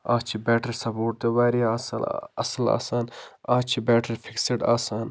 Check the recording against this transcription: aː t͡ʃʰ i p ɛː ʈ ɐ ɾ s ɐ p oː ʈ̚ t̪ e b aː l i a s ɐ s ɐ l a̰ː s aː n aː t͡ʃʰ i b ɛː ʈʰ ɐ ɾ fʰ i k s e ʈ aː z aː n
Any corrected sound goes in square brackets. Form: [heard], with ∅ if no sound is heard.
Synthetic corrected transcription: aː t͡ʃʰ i [b] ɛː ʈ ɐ ɾ s ɐ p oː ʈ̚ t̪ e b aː [ɾ] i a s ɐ s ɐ l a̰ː s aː n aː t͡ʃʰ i b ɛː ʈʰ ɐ ɾ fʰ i k s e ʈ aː [s] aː n